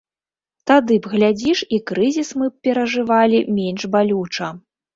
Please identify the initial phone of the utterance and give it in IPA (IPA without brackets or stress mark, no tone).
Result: t̪